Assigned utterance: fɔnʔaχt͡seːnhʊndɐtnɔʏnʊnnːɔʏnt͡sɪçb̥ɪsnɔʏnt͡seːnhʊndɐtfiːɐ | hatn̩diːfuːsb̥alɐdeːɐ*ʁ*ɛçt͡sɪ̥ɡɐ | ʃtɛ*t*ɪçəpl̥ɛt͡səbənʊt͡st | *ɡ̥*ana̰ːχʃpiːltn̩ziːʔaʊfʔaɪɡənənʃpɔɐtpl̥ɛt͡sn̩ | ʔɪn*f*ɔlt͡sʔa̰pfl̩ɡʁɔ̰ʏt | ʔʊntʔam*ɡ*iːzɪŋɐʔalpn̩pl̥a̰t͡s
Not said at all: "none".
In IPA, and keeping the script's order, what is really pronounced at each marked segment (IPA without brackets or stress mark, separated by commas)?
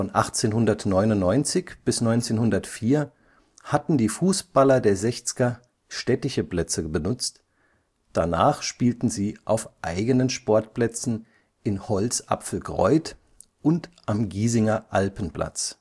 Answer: z, t, d̥, h, ɡ